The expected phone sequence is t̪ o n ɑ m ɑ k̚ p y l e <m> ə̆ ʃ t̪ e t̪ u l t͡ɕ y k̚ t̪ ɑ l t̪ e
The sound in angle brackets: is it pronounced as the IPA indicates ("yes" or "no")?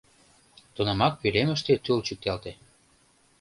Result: yes